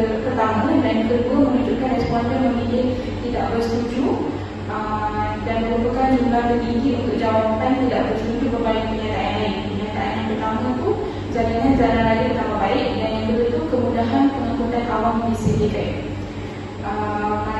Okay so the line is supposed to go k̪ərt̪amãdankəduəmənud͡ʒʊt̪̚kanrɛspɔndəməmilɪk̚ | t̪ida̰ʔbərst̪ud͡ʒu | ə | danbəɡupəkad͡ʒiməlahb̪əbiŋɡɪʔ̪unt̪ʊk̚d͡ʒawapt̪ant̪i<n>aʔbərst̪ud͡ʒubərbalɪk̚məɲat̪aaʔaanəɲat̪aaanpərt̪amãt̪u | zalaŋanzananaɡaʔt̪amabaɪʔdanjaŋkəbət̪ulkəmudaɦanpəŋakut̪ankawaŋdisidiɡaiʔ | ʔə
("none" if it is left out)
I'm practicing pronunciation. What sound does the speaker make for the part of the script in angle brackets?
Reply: d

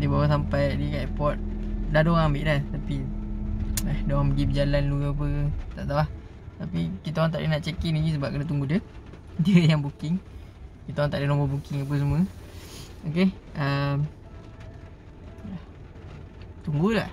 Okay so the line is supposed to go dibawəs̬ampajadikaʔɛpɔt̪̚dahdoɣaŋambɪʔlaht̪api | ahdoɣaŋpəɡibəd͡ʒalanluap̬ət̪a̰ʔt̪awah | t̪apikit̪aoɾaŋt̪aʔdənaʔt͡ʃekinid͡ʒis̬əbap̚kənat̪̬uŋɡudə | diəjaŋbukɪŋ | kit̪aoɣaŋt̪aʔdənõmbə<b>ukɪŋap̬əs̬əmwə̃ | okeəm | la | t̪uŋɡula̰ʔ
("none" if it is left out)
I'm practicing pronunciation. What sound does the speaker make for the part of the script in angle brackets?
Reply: b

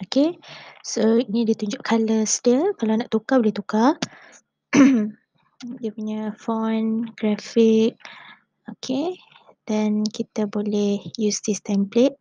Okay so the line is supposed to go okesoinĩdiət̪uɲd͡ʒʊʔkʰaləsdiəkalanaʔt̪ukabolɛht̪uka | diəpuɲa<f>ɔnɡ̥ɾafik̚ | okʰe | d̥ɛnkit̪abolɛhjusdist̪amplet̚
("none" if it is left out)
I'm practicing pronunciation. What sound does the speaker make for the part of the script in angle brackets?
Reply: f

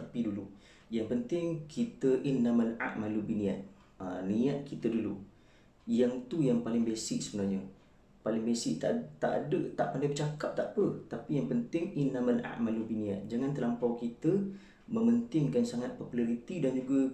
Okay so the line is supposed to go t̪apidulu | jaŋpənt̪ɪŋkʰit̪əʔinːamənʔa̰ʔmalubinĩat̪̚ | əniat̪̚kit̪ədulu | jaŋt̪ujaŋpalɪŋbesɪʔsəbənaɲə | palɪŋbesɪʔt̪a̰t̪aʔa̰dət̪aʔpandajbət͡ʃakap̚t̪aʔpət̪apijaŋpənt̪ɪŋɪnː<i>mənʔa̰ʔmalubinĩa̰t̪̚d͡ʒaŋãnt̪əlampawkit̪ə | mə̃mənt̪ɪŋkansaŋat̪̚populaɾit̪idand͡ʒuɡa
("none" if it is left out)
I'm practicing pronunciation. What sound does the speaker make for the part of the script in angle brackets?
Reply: a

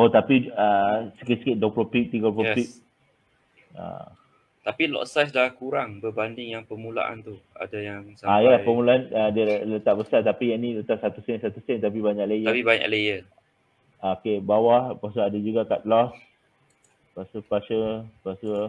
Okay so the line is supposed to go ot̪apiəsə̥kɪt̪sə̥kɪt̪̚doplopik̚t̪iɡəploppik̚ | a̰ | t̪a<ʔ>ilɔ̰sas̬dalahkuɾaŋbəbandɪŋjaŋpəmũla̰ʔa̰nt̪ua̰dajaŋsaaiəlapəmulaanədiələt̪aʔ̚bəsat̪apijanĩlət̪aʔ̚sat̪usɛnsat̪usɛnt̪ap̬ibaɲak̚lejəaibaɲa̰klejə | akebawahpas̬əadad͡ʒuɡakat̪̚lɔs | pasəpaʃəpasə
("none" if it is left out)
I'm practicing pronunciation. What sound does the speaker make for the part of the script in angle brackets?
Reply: p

